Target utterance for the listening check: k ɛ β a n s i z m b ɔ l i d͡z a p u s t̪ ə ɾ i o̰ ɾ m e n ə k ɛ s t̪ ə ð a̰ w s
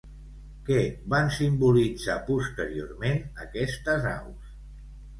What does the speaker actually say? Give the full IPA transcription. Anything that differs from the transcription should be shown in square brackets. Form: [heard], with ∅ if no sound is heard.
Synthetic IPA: k ɛ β a n s i [∅] m b [u] l i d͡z a p u s t̪ ə ɾ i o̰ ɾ m e n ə k ɛ s t̪ ə [z] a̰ w s